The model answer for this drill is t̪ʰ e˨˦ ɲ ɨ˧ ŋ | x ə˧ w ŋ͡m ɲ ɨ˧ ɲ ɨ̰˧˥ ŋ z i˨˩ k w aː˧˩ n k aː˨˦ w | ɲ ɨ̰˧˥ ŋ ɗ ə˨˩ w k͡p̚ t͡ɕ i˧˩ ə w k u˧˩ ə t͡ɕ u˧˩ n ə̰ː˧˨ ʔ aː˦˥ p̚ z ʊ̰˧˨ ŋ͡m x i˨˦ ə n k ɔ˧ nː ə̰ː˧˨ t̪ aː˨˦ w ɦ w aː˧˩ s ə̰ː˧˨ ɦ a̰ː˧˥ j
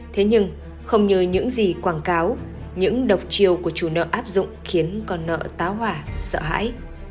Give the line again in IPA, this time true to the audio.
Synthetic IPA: t̪ʰ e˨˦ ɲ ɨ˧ ŋ | x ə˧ w ŋ͡m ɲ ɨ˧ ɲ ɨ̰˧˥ ŋ z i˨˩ k w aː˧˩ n k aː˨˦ w | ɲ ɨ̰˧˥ ŋ ɗ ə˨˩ w k͡p̚ t͡ɕ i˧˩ ə w k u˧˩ ə t͡ɕ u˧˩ n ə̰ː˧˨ ʔ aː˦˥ p̚ z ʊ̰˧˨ ŋ͡m x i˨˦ ə n k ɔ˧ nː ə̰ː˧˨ t̪ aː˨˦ w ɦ w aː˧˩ s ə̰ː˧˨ ɦ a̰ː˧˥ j